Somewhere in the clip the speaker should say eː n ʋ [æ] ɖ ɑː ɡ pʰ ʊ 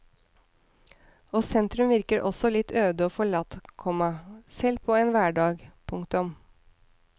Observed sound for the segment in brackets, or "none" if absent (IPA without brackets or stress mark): æː